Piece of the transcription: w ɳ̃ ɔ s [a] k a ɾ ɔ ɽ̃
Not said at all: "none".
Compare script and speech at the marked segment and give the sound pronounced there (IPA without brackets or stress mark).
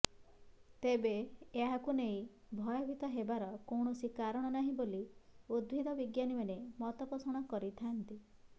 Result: i